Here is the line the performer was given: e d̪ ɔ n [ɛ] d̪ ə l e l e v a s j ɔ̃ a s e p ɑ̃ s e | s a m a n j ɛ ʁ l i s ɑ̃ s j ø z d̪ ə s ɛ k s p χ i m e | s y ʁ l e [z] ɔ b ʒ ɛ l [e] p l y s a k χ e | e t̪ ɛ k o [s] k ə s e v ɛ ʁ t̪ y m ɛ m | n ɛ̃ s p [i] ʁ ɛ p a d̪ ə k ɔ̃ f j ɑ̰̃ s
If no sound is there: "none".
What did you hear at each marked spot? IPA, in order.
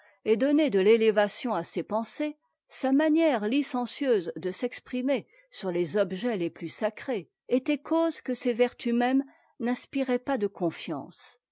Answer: e, z, e, z, i

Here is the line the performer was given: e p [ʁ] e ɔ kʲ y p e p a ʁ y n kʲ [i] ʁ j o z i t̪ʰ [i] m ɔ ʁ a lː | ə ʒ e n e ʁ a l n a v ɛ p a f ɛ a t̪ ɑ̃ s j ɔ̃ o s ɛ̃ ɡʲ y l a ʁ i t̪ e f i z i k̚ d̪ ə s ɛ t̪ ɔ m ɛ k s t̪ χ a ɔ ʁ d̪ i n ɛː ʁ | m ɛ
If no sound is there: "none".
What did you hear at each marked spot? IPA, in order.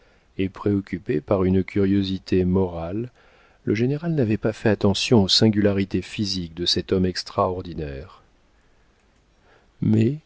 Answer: χ, y, e

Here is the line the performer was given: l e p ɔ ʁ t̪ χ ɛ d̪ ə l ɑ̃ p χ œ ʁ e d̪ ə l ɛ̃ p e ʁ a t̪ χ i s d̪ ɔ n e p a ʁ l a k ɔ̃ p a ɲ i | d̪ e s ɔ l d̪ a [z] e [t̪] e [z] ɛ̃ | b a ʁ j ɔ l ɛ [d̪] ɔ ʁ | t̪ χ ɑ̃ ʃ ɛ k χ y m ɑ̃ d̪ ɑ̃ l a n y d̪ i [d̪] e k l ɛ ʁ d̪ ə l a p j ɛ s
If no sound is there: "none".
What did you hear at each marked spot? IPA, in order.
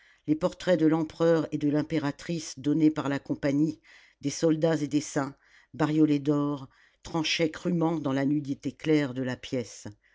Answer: z, d̪, s, d̪, t̪

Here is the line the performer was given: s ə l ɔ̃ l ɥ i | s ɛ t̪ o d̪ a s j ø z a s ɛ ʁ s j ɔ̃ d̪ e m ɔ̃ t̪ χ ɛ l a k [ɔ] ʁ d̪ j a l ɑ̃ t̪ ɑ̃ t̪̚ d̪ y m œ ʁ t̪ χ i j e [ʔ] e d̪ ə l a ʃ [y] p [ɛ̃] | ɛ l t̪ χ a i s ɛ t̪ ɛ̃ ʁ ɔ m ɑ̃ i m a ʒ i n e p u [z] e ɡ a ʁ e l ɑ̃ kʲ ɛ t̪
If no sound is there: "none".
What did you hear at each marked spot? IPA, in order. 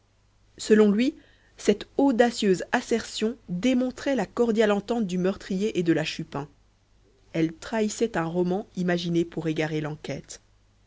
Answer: ɔ, ʔ, y, ɛ̃, ʁ

